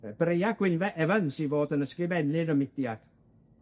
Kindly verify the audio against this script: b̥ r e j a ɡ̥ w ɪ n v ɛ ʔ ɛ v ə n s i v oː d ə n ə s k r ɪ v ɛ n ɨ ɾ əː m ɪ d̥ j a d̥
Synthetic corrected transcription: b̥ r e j a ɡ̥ w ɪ n v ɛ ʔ ɛ v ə n s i v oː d ə n ə s k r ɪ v ɛ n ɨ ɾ ə m ɪ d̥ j a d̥

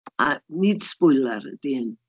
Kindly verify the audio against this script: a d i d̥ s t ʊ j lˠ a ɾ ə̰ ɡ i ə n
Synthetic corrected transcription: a n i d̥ s p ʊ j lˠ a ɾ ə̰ d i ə n

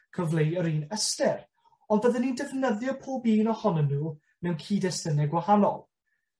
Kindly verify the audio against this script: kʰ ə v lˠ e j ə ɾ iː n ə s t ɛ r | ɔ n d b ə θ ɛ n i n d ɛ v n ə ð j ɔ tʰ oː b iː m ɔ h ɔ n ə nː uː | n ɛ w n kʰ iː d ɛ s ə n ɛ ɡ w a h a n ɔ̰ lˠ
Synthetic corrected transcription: kʰ ə v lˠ e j ə ɾ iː n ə s t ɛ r | ɔ n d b ə ð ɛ n i n d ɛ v n ə ð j ɔ pʰ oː b iː n ɔ h ɔ n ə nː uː | n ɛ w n kʰ iː d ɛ s ə n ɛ ɡ w a h a n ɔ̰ lˠ

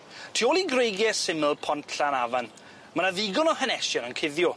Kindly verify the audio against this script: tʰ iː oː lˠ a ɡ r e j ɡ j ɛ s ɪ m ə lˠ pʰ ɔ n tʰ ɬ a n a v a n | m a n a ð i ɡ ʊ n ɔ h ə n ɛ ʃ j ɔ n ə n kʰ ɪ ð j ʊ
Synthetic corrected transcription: tʰ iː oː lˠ i ɡ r e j ɡ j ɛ s ɪ m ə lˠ pʰ ɔ n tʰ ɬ a n a v a n | m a n a ð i ɡ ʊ n ɔ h ə n ɛ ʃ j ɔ n ə n kʰ ɪ ð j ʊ

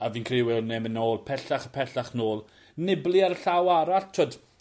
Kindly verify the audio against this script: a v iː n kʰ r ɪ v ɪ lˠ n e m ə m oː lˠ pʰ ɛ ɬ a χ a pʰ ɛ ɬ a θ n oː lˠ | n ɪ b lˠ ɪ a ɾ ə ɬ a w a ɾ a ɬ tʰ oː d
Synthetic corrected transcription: a v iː n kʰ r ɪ w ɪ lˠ n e m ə n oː lˠ pʰ ɛ ɬ a χ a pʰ ɛ ɬ a χ n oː lˠ | n ɪ b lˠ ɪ a ɾ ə ɬ a w a ɾ a ɬ tʰ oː d

